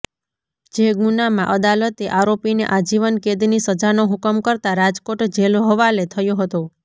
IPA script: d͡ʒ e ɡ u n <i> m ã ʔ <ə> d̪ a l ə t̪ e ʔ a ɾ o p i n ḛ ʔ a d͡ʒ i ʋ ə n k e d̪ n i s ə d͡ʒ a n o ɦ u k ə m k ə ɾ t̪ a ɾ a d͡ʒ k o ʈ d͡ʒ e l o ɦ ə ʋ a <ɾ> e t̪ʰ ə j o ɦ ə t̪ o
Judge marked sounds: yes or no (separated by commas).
no, yes, no